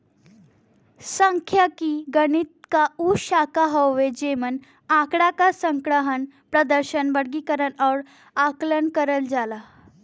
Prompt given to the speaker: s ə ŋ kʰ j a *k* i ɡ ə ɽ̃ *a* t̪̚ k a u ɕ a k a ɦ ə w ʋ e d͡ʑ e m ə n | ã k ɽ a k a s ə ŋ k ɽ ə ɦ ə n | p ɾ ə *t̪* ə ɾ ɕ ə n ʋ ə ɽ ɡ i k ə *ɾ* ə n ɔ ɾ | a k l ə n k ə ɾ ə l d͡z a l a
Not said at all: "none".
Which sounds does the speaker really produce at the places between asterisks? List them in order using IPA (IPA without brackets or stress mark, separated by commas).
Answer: k, i, d̪, ɾ